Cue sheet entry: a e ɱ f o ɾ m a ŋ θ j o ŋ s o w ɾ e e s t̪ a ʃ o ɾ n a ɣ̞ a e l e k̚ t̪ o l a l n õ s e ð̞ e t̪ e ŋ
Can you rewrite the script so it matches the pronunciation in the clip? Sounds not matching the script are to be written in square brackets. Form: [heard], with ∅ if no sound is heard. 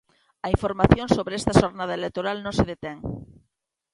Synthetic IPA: a [i] ɱ f o ɾ m a [∅] θ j o [n] s o [β] ɾ e e s t̪ a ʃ o ɾ n a [ð̞] a e l e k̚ t̪ o [ɾ] a l n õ s e ð̞ e t̪ e ŋ